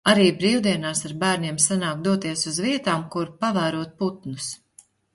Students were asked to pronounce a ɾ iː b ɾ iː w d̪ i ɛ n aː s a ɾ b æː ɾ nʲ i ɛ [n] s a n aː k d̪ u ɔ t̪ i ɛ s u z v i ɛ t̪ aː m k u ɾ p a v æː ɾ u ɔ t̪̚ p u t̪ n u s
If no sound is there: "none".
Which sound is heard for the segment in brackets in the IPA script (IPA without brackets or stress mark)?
m